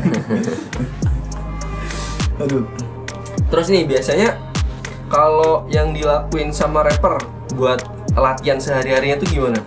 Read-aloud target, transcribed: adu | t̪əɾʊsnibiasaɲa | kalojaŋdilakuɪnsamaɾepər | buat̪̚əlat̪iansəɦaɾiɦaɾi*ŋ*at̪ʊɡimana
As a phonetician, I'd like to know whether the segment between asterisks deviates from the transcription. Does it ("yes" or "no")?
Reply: yes